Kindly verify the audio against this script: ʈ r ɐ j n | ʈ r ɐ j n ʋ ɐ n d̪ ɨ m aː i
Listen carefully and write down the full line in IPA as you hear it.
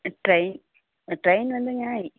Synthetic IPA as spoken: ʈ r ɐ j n | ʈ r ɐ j n ʋ ɐ n d̪ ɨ ɲ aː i

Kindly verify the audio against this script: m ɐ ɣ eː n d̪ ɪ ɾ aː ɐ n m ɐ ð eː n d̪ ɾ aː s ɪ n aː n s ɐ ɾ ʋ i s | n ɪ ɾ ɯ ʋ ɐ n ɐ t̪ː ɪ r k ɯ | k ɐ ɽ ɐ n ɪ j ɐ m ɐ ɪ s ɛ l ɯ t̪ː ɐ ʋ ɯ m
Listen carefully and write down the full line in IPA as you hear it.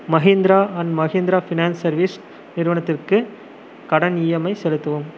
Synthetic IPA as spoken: m ɐ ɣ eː n d̪ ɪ ɾ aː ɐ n m ɐ ɣ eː n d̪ ɾ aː f ɪ n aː n s ɐ ɾ ʋ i s | n ɪ ɾ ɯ ʋ ɐ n ɐ t̪ː ɪ r k ɯ | k ɐ ɽ ɐ n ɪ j ɐ m ɐ ɪ s ɛ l ɯ t̪ː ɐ ʋ ɯ m

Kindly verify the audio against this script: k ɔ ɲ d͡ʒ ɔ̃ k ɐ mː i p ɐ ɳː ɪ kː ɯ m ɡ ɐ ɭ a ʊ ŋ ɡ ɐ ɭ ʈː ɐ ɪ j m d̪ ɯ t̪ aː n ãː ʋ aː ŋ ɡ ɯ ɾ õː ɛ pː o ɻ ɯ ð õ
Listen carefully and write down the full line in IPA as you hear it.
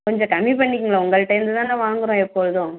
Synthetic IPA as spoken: k ɔ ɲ d͡ʒ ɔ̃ k ɐ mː i p ɐ ɳː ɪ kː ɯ ŋ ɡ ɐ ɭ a ʊ ŋ ɡ ɐ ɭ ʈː ɐ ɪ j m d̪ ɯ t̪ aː n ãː ʋ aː ŋ ɡ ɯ ɾ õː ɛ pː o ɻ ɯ ð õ

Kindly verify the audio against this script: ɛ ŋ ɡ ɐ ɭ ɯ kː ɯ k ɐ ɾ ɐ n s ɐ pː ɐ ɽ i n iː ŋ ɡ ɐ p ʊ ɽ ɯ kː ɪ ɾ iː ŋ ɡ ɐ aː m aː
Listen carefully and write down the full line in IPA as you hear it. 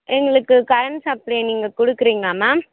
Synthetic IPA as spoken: ɛ ŋ ɡ ɐ ɭ ɯ kː ɯ k ɐ ɾ ɐ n s ɐ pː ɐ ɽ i n iː ŋ ɡ ɐ k ʊ ɽ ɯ kː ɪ ɾ iː ŋ ɡ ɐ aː m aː

